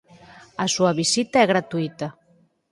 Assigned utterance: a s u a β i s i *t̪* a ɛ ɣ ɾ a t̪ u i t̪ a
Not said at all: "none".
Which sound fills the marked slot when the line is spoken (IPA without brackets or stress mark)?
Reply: t̪